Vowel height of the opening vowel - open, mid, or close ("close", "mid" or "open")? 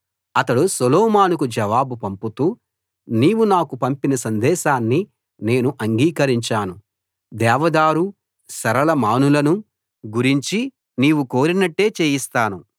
open